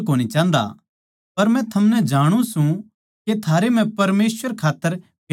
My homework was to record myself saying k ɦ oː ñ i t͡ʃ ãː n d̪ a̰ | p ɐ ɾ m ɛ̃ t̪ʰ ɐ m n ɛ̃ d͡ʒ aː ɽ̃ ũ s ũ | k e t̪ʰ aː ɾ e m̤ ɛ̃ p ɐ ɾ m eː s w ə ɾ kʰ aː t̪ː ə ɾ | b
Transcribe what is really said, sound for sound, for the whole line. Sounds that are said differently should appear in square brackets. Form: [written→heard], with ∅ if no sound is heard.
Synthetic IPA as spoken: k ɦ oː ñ i t͡ʃ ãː n d̪ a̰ | p ɐ ɾ m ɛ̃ t̪ʰ ɐ m n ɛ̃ d͡ʒ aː ɽ̃ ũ s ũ | k e t̪ʰ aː ɾ e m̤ ɛ̃ p ɐ ɾ m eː s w ə ɾ kʰ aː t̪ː ə ɾ | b